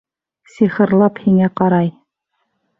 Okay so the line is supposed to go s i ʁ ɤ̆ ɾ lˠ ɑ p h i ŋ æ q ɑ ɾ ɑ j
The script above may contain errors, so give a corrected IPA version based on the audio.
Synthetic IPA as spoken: s i χ ɤ̆ ɾ lˠ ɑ p h i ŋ æ q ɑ ɾ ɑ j